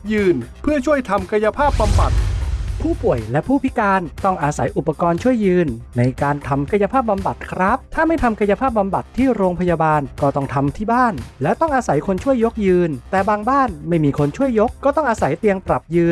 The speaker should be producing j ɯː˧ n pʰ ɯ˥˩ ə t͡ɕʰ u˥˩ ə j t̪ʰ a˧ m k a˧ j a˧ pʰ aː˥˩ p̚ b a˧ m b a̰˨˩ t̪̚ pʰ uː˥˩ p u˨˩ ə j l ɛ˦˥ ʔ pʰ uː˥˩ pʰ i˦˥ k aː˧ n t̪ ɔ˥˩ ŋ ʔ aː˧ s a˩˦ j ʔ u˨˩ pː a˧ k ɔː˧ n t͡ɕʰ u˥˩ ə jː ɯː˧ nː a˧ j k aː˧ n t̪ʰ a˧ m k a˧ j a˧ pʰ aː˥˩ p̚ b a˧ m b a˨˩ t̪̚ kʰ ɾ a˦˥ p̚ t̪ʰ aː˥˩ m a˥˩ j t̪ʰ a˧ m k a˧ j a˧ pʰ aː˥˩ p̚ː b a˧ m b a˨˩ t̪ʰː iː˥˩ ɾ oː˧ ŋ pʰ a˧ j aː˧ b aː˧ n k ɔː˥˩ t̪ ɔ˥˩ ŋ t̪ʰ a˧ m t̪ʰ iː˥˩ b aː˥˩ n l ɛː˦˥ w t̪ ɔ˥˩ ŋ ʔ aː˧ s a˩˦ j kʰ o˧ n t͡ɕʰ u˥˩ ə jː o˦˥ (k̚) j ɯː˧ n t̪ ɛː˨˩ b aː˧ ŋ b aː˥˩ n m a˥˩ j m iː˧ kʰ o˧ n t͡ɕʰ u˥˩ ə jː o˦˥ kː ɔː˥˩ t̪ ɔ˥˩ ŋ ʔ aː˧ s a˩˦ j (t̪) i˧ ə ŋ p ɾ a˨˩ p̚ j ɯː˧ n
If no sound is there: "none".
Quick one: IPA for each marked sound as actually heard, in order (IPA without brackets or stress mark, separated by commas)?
k̚, t̪